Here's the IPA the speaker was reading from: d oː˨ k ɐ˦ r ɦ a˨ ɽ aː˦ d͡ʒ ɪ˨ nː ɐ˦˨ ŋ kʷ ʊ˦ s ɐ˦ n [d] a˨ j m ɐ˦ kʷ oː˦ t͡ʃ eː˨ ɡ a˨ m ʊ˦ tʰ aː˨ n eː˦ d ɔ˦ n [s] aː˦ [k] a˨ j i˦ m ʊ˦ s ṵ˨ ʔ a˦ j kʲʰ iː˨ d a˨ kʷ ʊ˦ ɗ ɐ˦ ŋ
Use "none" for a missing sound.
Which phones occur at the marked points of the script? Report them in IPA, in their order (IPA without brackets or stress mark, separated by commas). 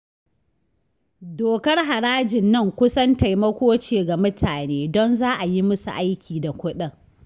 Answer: t, z, ʔ